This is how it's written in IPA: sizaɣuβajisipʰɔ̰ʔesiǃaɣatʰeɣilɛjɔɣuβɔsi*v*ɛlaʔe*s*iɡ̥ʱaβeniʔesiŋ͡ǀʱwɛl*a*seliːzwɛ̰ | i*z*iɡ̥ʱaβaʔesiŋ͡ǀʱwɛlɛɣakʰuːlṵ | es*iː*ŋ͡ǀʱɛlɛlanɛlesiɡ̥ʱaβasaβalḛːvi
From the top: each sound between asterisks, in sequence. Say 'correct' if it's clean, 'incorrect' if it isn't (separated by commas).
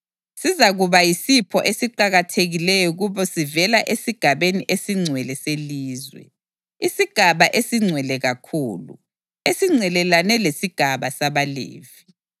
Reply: correct, correct, incorrect, incorrect, incorrect